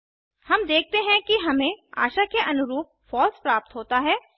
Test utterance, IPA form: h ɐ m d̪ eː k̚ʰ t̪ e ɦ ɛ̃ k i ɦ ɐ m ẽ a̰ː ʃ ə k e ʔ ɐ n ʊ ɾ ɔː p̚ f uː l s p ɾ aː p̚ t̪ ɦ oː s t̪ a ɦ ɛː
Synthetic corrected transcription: h ɐ m d̪ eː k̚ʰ t̪ e ɦ ɛ̃ k i ɦ ɐ m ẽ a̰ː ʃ a k e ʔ ɐ n ʊ ɾ uː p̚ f ɔː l s p ɾ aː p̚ t̪ ɦ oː t̪ a ɦ ɛː